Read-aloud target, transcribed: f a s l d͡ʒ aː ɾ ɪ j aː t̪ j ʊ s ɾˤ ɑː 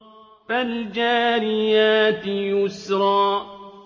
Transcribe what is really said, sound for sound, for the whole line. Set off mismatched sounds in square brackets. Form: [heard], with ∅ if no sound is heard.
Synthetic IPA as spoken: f a [∅] l d͡ʒ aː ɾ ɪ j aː t̪ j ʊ s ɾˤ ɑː